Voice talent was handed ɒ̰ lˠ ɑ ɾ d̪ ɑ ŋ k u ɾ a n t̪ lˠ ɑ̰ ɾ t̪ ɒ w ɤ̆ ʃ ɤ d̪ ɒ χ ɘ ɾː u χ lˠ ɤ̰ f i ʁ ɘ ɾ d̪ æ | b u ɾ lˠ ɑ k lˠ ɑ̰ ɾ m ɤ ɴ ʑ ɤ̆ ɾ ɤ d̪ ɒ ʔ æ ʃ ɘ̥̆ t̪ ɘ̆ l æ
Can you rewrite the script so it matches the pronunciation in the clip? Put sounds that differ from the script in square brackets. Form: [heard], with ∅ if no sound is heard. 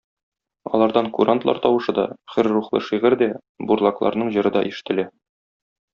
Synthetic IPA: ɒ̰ lˠ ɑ ɾ d̪ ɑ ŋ k u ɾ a n t̪ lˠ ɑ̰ ɾ t̪ ɒ w ɤ̆ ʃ ɤ d̪ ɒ χ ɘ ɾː u χ lˠ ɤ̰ [ʃ] i ʁ ɘ ɾ d̪ æ | b u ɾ lˠ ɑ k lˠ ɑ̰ ɾ [n] ɤ ɴ ʑ ɤ̆ ɾ ɤ d̪ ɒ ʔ [i] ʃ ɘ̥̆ t̪ ɘ̆ l æ